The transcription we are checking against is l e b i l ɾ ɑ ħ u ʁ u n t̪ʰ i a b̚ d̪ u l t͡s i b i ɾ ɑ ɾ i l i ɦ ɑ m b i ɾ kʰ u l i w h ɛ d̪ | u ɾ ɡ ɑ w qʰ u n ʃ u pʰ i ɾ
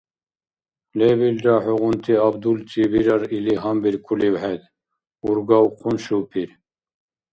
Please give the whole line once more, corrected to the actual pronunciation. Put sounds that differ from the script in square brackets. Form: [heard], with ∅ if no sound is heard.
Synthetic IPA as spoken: l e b i l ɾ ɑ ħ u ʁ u n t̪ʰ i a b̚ d̪ u l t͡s i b i ɾ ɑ ɾ i l i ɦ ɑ m b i ɾ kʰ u l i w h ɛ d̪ | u ɾ ɡ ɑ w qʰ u n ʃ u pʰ i ɾ